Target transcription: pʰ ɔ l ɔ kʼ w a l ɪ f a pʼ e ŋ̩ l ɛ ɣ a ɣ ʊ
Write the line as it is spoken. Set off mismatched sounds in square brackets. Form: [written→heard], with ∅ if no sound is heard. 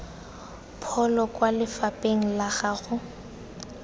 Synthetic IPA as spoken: pʰ ɔ l ɔ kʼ w a l ɪ f a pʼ e ŋ̩ l [ɛ→a] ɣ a ɣ ʊ